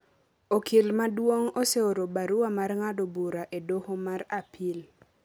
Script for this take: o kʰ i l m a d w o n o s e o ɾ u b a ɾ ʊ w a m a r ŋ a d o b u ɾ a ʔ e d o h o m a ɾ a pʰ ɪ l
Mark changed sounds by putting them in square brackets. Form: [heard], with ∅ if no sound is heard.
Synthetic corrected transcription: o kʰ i l m a d w o [ŋ] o s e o ɾ [o] b a ɾ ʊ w a m a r ŋ a d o b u ɾ a ʔ e d o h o m a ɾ a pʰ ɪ l